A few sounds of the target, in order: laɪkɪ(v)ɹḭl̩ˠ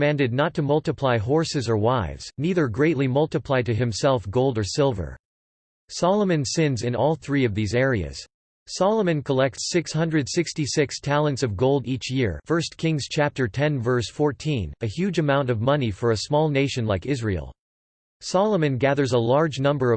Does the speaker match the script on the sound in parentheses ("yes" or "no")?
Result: no